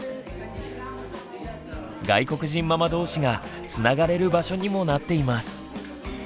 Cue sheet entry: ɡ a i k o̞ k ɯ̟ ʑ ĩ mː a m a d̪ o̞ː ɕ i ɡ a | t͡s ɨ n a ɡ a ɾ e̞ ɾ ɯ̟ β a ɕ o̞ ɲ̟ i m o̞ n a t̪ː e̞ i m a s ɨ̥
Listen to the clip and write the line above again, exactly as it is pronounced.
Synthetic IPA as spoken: ɡ a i k o̞ k ɯ̟ ʑ ĩ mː a m a d̪ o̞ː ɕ i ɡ a | t͡s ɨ n a ɡ a ɾ e̞ ɾ ɯ̟ b a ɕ o̞ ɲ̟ i m o̞ n a t̪ː e̞ i m a s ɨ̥